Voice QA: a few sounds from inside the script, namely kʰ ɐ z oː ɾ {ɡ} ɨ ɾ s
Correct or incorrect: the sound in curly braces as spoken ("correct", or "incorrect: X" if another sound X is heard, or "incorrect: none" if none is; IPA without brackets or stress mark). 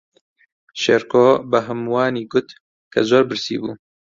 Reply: incorrect: b